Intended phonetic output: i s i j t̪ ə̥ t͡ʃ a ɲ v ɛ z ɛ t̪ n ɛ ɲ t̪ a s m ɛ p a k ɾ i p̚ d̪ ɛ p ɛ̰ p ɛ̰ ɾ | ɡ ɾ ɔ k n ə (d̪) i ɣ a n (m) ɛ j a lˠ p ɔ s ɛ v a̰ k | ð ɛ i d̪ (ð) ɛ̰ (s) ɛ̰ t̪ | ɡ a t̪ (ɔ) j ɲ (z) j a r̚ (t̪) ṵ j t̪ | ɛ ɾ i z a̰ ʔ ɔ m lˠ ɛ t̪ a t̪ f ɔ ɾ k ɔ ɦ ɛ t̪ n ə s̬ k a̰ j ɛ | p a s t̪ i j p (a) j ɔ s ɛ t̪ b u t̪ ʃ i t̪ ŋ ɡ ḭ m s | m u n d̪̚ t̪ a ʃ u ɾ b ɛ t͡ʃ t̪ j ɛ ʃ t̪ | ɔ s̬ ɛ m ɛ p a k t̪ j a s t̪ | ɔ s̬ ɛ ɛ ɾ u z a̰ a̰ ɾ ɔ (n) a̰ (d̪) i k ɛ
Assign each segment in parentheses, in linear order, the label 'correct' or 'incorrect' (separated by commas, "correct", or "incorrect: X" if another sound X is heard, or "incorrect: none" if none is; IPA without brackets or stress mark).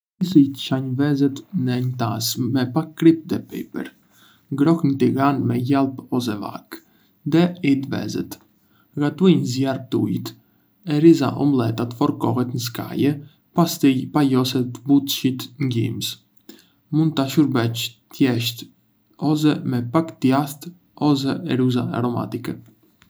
incorrect: t̪, correct, incorrect: v, incorrect: z, incorrect: u, correct, correct, correct, incorrect: m, incorrect: t̪